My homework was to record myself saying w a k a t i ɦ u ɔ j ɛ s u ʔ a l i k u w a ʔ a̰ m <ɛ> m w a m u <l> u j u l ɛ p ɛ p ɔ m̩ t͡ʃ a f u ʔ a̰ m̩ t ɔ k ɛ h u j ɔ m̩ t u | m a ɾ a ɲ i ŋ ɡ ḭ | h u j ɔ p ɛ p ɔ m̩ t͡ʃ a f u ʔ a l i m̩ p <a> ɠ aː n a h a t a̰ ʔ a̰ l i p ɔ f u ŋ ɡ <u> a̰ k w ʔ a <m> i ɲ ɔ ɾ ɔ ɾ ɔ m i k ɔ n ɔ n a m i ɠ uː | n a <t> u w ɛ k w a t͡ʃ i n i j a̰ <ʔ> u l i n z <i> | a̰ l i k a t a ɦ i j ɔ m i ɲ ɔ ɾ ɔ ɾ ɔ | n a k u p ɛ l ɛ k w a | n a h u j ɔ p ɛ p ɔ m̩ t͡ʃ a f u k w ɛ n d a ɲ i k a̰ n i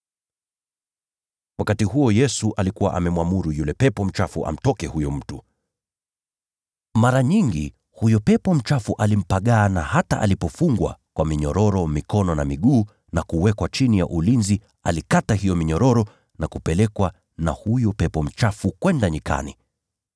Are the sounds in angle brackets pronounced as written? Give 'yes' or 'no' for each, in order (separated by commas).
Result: yes, no, yes, no, yes, no, yes, yes